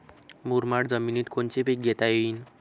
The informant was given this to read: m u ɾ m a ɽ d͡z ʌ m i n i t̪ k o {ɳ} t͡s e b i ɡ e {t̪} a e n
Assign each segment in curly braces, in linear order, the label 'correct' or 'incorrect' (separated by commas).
incorrect, correct